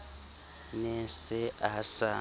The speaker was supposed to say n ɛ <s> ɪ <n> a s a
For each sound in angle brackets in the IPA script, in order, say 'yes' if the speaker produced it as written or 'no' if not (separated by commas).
yes, no